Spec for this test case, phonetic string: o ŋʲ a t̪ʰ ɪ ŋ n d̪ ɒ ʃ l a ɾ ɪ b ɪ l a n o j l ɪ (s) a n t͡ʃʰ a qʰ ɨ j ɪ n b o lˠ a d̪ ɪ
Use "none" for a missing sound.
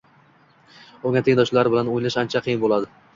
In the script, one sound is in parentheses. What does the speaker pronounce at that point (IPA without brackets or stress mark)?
ʃ